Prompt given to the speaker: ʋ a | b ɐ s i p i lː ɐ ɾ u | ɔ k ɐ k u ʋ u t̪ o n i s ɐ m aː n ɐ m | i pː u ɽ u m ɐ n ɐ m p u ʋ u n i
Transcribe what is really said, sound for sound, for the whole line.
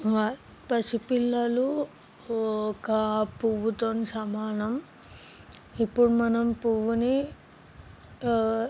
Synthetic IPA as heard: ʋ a | p ɐ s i p i lː ɐ l u | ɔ k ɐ p u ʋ u t̪ o n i s ɐ m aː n ɐ m | i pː u ɽ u m ɐ n ɐ m p u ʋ u n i